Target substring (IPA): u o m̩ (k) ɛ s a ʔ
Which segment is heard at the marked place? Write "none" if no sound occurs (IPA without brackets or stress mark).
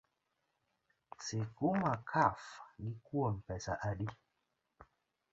p